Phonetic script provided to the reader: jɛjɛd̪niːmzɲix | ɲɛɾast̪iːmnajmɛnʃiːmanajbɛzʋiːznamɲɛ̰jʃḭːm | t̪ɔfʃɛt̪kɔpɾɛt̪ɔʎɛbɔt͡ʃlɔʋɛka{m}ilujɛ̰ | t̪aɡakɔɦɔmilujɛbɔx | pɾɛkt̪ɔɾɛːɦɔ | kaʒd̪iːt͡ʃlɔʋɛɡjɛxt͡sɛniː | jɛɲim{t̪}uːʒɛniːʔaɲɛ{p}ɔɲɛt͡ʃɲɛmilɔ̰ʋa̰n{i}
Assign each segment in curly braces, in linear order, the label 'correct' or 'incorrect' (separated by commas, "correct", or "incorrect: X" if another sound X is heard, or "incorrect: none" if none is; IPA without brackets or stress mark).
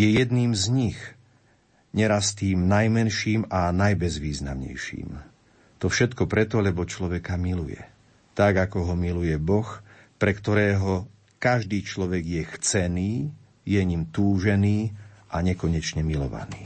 correct, correct, incorrect: k, incorrect: iː